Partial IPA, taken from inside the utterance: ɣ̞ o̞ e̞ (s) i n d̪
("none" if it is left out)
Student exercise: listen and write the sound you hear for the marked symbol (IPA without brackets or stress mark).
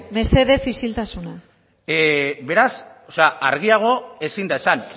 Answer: s